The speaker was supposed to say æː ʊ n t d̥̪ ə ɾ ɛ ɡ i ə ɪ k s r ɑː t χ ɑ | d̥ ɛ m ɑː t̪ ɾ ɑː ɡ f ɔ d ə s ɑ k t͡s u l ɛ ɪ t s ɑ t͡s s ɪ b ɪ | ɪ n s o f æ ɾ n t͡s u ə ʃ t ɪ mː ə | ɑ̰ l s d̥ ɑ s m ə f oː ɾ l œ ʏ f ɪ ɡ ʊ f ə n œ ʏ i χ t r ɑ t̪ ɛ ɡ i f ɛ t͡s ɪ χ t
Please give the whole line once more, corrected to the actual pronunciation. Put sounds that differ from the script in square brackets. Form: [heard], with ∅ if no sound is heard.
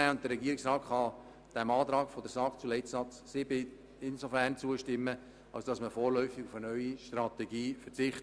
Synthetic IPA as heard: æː ʊ n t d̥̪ ə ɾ ɛ ɡ i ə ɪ k s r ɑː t χ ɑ | d̥ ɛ m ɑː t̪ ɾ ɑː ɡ f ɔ d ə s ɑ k t͡s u l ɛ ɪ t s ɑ t͡s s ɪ b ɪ | ɪ n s o f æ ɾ n t͡s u ə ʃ t ɪ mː ə | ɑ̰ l s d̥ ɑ s m ə f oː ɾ l œ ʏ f ɪ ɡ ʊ f ə n œ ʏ i [ʃ] t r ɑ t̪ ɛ ɡ [iː] f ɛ t͡s ɪ χ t